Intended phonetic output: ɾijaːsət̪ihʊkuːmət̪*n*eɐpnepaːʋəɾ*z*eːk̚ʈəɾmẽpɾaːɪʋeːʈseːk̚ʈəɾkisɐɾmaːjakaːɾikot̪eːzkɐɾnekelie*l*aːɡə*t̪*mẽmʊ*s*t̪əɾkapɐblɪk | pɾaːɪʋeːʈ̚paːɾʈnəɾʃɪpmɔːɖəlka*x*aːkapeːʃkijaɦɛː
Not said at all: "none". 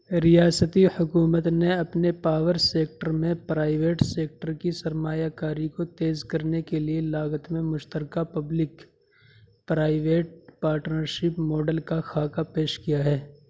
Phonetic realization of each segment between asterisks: n, s, l, t̪, ʃ, x

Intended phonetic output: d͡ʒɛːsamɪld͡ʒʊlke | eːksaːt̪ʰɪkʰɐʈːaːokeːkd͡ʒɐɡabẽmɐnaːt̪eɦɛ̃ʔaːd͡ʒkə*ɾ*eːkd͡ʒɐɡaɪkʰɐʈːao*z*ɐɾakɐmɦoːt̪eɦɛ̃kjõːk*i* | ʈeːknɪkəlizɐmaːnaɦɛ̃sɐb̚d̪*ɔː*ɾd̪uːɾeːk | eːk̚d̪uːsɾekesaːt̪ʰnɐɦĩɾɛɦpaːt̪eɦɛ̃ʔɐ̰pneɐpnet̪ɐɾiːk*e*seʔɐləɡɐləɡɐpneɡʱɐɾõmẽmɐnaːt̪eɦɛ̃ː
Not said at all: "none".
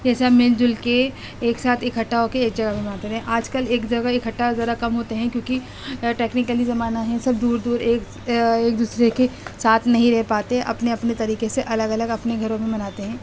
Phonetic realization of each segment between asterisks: l, z, i, uː, e

